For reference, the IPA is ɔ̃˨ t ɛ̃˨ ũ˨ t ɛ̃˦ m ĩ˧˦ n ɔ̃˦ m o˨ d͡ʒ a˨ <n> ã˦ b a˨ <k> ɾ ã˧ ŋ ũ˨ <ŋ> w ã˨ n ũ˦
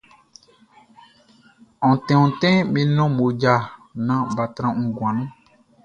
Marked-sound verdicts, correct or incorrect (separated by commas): correct, incorrect, incorrect